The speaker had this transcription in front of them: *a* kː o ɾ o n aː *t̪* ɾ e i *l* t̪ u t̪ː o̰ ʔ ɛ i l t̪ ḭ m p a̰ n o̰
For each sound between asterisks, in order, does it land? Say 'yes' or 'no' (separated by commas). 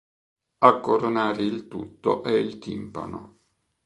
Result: yes, no, yes